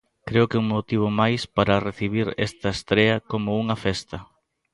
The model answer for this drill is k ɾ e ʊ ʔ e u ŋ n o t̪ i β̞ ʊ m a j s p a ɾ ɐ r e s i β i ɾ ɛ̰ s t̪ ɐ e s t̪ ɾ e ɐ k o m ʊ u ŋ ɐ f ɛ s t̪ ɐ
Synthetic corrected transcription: k ɾ e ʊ k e u ŋ m o t̪ i β̞ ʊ m a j s p a ɾ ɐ r e θ i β i ɾ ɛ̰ s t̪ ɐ e s t̪ ɾ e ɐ k o m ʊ u ŋ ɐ f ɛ s t̪ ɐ